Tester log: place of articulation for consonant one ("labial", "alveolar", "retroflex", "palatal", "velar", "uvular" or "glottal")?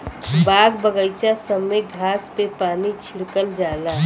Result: labial